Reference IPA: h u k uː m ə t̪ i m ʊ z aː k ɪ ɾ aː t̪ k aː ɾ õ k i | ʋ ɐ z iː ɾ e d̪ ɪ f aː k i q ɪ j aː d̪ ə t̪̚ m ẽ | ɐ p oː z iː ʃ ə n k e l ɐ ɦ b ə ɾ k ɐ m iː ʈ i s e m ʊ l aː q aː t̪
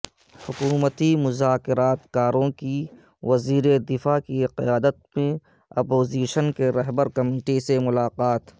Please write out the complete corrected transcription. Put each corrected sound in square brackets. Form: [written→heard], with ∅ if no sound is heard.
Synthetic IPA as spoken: h [u→ʊ] k uː m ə t̪ i m ʊ z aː k ɪ ɾ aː t̪ k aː ɾ õ k i | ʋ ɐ z iː ɾ e d̪ ɪ f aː k i q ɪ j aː d̪ ə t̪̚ m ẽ | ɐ p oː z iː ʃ ə n k e [l→ɾ] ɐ ɦ b ə ɾ k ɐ m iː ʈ i s e m ʊ l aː q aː t̪